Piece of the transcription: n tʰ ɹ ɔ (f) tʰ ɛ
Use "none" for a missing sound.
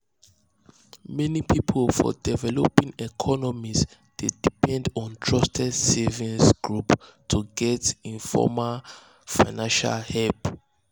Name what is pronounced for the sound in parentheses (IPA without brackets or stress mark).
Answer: s